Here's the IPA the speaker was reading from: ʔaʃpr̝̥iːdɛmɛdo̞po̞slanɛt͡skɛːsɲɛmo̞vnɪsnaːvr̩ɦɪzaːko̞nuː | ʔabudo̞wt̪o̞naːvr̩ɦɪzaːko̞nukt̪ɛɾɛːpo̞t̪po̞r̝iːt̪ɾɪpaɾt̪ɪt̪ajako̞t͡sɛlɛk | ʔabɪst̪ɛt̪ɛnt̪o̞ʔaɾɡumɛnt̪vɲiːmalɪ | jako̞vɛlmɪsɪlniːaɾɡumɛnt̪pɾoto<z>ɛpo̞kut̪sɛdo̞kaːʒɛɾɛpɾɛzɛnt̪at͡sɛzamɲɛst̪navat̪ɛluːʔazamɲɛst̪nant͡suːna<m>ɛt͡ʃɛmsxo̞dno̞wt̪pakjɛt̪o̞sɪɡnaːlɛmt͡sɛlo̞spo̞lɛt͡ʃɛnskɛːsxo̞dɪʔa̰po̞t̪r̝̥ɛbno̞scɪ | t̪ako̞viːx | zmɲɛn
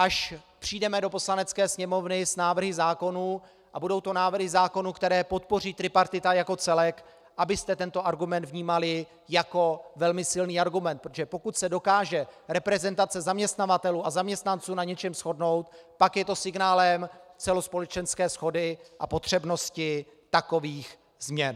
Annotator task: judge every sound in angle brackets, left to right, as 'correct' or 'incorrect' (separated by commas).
incorrect, incorrect